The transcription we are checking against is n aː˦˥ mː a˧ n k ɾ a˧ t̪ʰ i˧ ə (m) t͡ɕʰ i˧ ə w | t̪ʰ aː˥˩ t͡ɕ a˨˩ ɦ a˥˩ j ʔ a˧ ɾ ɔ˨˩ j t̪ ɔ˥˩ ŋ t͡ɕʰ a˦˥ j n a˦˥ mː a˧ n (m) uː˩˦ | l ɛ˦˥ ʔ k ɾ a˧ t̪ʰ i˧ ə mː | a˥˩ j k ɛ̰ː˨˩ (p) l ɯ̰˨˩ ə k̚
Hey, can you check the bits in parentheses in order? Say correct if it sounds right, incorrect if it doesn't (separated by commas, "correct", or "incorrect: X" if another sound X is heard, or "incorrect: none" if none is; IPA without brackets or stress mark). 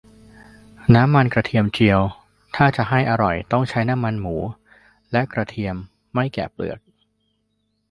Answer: correct, correct, correct